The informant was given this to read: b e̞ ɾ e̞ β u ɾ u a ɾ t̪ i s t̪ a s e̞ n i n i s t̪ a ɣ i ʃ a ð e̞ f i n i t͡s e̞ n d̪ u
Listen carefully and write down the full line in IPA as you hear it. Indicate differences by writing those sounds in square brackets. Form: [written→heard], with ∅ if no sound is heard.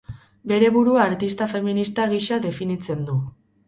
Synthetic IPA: b e̞ ɾ e̞ β u ɾ u a ɾ t̪ i s t̪ a [s→f] e̞ [n→m] i n i s t̪ a ɣ i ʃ a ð e̞ f i n i t͡s e̞ n d̪ u